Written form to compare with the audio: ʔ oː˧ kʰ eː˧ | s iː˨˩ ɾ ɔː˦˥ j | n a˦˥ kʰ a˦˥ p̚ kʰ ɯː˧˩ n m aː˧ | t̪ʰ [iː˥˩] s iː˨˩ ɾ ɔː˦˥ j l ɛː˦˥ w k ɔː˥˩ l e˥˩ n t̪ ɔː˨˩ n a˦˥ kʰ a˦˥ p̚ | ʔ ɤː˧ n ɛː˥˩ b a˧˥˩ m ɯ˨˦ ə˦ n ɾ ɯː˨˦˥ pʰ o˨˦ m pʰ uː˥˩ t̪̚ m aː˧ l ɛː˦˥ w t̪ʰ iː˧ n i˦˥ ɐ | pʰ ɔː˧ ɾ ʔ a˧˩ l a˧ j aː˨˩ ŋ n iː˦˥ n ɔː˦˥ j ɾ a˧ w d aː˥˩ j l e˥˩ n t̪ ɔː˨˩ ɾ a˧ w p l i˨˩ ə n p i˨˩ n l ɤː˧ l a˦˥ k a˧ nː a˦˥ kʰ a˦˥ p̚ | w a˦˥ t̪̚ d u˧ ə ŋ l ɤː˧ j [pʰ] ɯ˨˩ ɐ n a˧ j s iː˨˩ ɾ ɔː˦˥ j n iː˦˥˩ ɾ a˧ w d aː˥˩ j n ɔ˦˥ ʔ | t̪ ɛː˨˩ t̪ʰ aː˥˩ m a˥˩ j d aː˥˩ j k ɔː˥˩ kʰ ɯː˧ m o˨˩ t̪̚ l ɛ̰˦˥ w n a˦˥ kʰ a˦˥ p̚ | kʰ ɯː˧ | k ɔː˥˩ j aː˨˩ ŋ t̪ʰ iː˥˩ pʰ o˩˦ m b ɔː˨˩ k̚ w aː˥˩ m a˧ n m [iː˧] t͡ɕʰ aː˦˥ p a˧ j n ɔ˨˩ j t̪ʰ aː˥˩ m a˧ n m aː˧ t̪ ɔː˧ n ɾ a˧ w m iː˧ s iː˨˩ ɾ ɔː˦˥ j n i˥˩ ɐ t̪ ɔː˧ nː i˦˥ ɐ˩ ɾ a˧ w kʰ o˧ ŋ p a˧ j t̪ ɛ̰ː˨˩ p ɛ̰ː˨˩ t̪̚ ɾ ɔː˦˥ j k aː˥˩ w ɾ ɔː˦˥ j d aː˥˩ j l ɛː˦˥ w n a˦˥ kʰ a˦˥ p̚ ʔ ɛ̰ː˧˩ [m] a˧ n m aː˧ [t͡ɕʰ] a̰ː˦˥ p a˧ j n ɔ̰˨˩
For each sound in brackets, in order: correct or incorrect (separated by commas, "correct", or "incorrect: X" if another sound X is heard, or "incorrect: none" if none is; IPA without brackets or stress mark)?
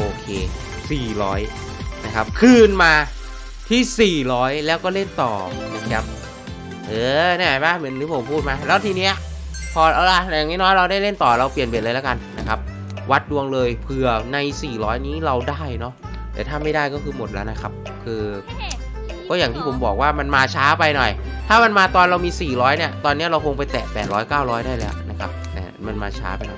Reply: correct, correct, incorrect: aː˧, correct, correct